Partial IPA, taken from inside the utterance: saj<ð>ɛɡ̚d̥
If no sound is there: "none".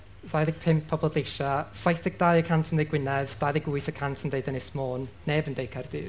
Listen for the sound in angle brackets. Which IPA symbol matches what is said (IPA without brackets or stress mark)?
θ